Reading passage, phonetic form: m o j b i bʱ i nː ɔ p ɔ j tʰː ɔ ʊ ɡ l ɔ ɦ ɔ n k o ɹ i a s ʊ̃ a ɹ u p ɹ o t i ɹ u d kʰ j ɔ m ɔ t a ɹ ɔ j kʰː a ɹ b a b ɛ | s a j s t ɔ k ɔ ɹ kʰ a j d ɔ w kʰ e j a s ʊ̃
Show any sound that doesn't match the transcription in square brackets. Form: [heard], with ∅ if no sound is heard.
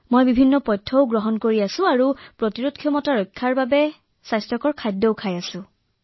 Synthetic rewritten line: m o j b i bʱ i nː ɔ p ɔ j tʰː ɔ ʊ ɡ [ɹ] ɔ ɦ ɔ n k o ɹ i a s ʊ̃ a ɹ u p ɹ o t i ɹ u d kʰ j ɔ m ɔ t a ɹ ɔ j kʰː a ɹ b a b ɛ | s a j s t ɔ k ɔ ɹ kʰ a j d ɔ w kʰ [a] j a s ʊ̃